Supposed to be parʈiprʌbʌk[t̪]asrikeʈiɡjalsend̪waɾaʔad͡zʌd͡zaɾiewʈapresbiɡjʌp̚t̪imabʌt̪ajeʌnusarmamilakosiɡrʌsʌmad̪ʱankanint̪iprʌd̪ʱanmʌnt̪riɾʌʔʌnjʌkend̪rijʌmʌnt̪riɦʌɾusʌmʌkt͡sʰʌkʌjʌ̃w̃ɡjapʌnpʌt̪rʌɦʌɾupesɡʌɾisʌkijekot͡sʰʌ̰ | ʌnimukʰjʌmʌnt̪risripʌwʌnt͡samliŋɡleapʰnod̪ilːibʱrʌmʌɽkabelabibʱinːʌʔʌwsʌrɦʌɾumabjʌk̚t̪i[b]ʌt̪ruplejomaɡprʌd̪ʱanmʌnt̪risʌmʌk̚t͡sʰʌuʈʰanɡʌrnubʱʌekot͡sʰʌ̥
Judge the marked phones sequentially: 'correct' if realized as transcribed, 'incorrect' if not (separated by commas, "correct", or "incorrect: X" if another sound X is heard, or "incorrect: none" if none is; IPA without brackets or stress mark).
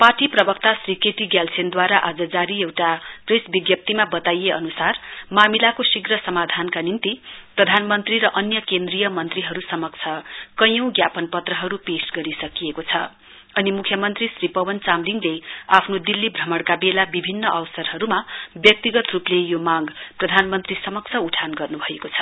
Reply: correct, incorrect: ɡ